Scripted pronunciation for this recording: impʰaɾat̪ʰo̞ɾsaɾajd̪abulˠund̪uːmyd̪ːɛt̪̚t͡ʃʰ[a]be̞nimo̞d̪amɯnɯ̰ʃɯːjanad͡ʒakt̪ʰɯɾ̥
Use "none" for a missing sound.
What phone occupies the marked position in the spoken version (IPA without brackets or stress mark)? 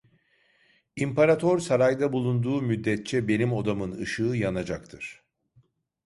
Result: ɛ